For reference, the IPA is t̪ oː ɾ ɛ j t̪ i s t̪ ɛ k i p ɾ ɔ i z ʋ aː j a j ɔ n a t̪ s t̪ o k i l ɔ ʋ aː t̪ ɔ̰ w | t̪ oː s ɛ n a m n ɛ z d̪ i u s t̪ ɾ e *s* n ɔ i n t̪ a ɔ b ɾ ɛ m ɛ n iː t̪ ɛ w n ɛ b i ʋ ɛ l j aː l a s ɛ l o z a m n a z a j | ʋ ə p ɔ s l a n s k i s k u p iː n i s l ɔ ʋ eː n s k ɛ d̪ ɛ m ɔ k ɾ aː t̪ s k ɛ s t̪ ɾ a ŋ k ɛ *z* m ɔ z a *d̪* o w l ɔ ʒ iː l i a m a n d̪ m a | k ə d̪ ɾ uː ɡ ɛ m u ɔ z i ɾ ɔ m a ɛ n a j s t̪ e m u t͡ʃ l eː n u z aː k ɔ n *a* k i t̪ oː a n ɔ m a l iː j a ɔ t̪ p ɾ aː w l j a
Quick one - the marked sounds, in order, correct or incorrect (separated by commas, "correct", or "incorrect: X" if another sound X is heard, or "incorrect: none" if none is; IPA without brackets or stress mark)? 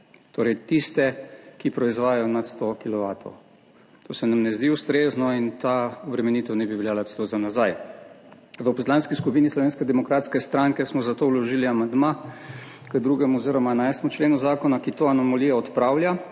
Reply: incorrect: z, incorrect: s, incorrect: t̪, correct